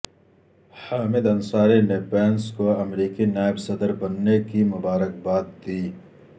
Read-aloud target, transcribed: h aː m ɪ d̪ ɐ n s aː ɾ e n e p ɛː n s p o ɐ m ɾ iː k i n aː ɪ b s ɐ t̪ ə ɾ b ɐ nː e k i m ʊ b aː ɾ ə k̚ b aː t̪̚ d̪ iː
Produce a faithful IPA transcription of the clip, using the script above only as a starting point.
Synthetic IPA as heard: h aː m ɪ d̪ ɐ n s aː ɾ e n e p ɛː n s k o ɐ m ɾ iː k i n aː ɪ b s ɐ d̪ ə ɾ b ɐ nː e k i m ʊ b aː ɾ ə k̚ b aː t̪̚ d̪ iː